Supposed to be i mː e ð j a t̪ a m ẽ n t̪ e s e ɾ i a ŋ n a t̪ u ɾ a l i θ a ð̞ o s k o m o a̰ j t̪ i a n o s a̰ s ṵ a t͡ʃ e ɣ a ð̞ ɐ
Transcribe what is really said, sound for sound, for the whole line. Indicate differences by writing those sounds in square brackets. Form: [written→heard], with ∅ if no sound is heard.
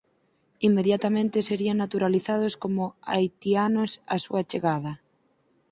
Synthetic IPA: i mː e ð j a t̪ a m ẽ n t̪ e s e ɾ i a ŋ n a t̪ u ɾ a l i θ a ð̞ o s k o m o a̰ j t̪ i a n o s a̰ s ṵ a t͡ʃ e ɣ a ð̞ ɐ